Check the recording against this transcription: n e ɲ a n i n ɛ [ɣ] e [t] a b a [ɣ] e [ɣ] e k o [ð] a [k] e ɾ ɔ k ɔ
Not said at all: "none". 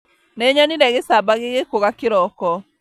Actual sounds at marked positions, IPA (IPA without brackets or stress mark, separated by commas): ɣ, s, ɣ, ɣ, ɣ, k